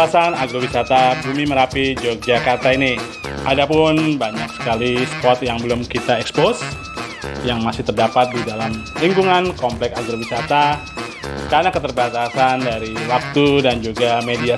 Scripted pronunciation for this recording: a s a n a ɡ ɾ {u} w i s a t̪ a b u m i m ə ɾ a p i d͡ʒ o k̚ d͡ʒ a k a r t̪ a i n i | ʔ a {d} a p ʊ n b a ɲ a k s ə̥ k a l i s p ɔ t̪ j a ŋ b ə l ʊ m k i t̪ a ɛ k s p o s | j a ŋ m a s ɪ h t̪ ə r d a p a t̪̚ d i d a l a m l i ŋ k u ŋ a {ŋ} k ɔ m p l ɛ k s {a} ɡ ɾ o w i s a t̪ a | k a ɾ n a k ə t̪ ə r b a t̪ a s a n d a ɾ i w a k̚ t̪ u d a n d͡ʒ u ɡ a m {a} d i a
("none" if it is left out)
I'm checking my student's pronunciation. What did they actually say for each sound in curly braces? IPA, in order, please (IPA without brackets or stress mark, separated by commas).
o, d, n, a, e